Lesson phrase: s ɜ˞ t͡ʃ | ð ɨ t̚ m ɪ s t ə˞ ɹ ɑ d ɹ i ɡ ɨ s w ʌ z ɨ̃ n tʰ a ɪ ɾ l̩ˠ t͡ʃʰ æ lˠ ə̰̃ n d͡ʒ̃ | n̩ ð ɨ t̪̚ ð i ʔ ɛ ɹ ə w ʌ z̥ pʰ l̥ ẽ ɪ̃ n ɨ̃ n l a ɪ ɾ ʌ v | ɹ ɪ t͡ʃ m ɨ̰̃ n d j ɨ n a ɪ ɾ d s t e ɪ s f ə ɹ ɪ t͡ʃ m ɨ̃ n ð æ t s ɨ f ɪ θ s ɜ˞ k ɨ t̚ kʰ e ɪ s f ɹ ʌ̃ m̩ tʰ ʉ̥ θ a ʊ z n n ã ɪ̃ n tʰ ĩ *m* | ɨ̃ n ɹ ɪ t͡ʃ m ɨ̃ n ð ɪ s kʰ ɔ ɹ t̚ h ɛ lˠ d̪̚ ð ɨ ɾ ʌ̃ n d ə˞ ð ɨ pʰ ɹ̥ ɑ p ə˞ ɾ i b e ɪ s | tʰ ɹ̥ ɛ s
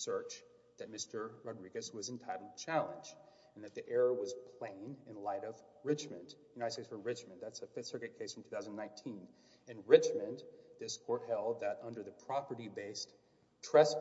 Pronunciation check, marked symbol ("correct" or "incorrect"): incorrect